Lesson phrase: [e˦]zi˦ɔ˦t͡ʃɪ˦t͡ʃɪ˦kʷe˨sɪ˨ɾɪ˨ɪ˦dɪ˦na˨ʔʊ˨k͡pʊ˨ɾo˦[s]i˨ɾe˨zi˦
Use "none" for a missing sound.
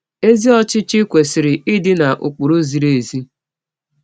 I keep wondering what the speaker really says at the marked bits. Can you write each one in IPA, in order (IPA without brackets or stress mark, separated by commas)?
e˦, z